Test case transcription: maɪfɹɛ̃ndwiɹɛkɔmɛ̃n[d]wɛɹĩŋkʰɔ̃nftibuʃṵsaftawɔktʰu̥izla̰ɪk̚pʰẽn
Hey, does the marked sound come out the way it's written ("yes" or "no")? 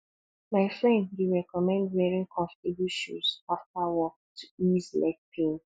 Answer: yes